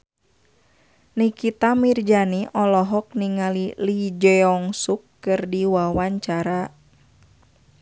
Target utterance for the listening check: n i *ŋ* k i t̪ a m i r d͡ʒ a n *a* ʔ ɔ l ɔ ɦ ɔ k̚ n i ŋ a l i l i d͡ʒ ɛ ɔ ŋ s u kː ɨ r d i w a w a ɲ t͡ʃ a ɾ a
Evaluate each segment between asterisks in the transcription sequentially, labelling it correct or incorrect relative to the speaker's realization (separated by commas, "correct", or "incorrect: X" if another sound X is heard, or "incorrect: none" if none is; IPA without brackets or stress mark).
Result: incorrect: none, incorrect: i